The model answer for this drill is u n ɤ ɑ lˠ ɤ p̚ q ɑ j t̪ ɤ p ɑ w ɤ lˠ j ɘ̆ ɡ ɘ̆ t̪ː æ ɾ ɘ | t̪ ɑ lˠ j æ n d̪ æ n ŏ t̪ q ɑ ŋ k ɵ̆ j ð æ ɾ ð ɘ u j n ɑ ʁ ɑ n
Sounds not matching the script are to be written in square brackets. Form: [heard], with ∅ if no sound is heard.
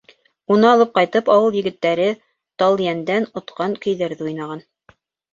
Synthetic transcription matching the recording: u n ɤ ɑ lˠ ɤ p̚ q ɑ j t̪ ɤ p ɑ w ɤ lˠ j ɘ̆ ɡ ɘ̆ t̪ː æ ɾ ɘ | t̪ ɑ lˠ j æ n d̪ æ n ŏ t̪ q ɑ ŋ k ɵ̆ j ð æ ɾ ð ɘ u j n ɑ ʁ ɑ n